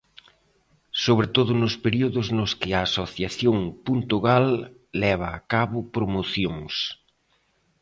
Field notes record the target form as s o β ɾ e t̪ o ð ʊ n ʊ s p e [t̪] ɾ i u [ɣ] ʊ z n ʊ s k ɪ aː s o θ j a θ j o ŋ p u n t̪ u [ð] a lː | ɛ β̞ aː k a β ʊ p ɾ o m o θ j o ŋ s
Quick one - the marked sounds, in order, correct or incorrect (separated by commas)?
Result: incorrect, incorrect, incorrect